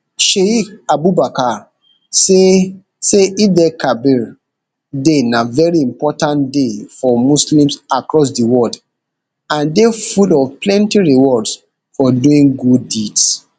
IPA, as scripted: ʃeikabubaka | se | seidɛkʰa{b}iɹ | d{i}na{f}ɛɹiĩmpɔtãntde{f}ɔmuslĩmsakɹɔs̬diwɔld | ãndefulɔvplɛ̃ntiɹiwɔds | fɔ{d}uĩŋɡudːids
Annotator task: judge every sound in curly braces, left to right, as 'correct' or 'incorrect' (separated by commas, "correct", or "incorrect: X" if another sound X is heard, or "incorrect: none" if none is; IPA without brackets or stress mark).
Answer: correct, incorrect: e, incorrect: v, correct, correct